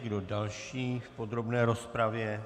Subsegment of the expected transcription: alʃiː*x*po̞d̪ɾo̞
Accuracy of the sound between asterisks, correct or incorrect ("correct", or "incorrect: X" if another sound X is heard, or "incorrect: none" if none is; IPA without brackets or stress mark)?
incorrect: f